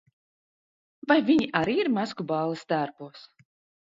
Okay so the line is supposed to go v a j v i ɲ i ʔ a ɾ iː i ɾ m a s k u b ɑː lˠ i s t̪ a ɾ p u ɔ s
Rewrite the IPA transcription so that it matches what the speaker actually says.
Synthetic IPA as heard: v a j v i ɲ i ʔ a ɾ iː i ɾ m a s k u b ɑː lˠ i s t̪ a ɾ p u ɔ s